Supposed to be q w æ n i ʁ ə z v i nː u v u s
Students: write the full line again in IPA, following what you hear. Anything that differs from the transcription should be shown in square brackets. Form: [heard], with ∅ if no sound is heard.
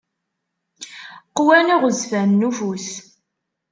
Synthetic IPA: q w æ n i ʁ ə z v [æ] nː u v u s